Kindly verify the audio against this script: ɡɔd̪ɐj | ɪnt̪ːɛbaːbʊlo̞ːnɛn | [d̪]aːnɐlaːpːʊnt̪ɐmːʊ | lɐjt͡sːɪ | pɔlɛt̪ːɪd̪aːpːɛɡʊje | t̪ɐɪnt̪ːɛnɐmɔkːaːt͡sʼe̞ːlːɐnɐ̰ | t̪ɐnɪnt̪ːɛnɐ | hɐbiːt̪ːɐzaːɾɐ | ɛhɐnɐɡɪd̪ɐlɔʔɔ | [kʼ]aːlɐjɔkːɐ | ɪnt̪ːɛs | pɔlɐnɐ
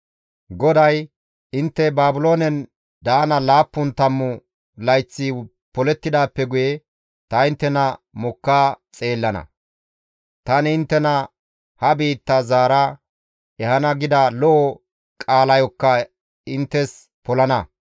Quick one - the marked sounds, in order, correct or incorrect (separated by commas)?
correct, correct